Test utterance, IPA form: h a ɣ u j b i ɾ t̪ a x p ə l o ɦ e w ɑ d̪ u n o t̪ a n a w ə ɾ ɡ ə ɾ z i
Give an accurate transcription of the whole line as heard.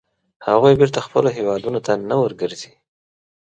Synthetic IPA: h a ɣ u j b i ɾ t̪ a x p ə l o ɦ e w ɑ d̪ u n o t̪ a n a w ə ɾ ɡ ə ɾ z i